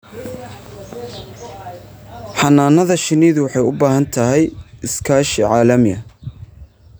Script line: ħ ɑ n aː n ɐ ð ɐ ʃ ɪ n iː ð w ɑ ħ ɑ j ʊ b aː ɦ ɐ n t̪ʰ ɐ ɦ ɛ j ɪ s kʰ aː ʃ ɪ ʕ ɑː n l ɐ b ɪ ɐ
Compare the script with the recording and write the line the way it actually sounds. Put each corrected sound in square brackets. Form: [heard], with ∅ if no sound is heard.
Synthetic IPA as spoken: ħ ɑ n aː n ɐ ð ɐ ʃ ɪ n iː ð w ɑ ħ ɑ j ʊ b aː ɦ ɐ n t̪ʰ ɐ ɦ ɛ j ɪ s kʰ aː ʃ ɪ ʕ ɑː [∅] l ɐ [m] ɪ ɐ